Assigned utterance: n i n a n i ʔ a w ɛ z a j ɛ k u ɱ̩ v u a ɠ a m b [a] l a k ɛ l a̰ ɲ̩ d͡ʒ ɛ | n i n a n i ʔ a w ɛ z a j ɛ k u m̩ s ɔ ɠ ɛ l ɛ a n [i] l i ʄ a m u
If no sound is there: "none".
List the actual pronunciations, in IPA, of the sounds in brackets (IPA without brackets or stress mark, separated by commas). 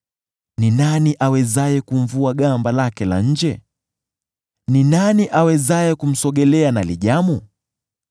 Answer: a, a